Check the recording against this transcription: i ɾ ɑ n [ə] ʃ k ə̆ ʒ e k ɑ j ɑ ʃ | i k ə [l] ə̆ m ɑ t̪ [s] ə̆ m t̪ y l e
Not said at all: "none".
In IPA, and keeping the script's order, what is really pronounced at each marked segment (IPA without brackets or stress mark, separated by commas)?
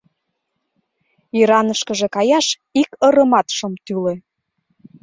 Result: ə, ɾ, ʃ